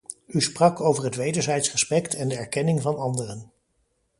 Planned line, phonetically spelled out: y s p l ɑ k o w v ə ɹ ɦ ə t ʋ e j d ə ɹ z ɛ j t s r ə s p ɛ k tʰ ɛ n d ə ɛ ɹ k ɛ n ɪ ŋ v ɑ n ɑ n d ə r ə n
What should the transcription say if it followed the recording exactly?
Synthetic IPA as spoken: y s p r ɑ k o w v ə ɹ ɦ ə t ʋ e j d ə ɹ z ɛ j t s r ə s p ɛ k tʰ ɛ n d ə ɛ ɹ k ɛ n ɪ ŋ v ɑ n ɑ n d ə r ə n